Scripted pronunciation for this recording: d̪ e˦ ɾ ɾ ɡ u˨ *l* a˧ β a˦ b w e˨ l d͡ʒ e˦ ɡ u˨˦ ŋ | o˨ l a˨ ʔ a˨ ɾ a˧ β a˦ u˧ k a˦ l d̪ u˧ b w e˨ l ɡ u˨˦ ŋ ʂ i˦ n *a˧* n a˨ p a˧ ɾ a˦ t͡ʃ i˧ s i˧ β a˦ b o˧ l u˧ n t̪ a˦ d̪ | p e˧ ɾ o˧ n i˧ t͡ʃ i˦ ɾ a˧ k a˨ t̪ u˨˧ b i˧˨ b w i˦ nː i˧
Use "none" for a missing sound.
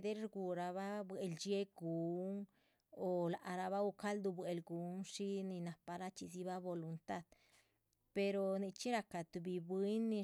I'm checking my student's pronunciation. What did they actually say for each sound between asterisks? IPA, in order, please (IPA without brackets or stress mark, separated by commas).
ɾ, i˧